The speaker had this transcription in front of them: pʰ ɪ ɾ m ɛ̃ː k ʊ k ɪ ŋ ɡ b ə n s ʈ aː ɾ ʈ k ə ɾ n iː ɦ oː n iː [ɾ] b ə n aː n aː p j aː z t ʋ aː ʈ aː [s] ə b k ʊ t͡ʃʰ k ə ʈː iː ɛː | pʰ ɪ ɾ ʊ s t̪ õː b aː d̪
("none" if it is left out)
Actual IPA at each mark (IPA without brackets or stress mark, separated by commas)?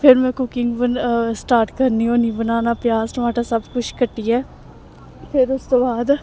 none, s